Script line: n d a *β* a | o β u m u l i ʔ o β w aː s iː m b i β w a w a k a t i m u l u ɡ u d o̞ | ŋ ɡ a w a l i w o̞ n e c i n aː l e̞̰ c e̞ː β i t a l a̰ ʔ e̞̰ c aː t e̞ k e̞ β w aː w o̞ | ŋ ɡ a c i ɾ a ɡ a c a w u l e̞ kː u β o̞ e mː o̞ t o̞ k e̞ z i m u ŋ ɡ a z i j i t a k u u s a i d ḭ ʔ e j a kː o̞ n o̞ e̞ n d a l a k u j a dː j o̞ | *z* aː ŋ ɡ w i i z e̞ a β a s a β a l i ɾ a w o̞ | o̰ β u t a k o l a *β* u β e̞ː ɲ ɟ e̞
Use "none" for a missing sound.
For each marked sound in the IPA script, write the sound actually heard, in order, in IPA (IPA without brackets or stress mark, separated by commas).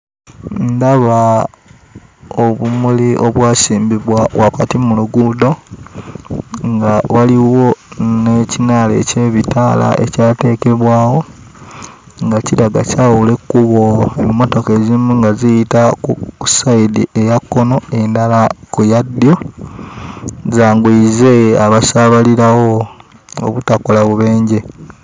β, z, β